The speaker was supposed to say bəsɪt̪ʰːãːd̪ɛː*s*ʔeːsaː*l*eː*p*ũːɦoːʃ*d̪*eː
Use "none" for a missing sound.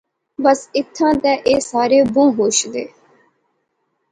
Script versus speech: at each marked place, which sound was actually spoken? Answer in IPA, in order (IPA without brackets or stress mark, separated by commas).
none, ɾ, b, d̪